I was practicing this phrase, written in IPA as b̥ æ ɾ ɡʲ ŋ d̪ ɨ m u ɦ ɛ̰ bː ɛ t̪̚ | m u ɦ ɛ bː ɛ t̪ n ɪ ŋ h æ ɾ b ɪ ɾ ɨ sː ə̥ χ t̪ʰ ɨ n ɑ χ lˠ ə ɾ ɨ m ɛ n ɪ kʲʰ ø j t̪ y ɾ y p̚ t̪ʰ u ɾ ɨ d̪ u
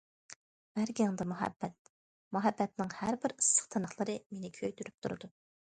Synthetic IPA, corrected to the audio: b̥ æ ɾ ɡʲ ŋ d̪ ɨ m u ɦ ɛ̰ bː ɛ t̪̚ | m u ɦ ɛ bː ɛ t̪ n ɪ ŋ h æ ɾ b ɪ ɾ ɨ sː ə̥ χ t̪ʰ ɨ n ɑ χ lˠ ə ɾ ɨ m e n ɪ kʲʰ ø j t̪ y ɾ y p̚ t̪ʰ u ɾ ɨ d̪ u